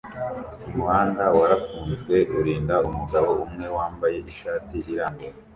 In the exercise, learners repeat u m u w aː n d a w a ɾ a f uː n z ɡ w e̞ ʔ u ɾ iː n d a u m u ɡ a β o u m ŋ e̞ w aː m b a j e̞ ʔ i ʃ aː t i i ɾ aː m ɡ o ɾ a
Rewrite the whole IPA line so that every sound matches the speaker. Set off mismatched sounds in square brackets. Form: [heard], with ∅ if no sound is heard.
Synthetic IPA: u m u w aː n d a w a ɾ a f uː n z ɡ w e̞ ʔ u ɾ iː n d a u m u ɡ a β o u m ŋ e̞ w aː m b a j e̞ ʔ i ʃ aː t i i ɾ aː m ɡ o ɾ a